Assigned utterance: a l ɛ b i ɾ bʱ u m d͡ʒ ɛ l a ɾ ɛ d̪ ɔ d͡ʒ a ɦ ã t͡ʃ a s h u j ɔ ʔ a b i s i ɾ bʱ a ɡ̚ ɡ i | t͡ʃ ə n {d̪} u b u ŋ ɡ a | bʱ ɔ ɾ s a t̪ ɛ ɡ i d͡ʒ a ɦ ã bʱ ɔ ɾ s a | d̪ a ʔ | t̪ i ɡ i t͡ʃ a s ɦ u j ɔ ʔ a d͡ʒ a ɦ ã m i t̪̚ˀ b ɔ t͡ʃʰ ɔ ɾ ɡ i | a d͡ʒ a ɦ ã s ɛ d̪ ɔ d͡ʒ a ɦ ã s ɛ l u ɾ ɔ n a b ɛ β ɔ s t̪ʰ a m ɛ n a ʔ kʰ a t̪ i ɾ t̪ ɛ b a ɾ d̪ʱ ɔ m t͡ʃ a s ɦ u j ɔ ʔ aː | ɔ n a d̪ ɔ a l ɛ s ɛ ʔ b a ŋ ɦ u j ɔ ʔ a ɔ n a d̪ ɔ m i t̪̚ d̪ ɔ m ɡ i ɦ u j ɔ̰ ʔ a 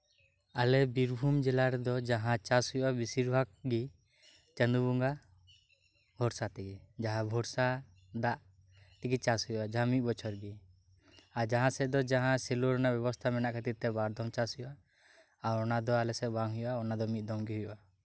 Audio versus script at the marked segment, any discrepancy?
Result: no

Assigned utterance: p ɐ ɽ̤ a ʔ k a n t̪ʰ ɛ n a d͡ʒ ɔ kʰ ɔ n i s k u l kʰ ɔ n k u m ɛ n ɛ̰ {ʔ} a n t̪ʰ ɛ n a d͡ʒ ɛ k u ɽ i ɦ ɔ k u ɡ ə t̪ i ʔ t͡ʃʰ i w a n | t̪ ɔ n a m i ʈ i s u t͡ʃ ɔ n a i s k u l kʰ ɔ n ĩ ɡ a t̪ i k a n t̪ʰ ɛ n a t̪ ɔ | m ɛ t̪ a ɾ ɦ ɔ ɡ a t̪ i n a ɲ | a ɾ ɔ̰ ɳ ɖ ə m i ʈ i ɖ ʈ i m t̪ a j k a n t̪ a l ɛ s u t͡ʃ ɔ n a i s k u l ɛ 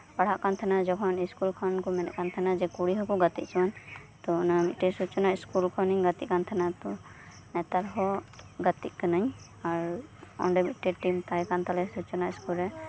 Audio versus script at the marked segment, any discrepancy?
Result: yes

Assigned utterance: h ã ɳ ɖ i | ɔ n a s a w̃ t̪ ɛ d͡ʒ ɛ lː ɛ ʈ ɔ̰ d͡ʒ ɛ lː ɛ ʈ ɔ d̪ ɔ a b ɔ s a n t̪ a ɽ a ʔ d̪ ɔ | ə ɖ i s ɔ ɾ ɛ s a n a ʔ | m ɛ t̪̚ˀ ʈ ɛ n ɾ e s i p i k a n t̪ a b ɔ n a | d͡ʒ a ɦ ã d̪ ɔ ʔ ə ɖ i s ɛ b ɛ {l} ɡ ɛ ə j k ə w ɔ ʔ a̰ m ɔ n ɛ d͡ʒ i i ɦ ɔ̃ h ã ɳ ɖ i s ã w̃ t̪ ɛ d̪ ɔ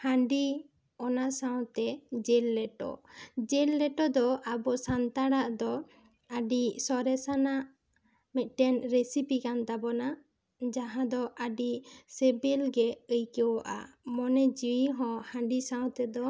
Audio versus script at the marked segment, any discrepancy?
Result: no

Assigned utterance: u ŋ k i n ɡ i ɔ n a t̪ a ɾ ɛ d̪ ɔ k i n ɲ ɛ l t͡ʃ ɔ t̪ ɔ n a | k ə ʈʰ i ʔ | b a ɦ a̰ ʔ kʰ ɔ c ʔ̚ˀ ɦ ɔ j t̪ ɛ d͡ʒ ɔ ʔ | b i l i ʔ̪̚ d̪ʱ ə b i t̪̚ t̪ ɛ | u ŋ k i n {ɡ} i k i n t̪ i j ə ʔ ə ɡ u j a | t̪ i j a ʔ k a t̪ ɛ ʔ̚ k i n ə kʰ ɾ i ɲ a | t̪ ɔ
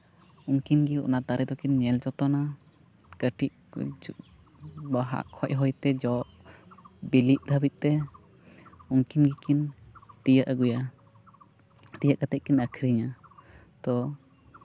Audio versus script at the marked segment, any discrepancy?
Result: no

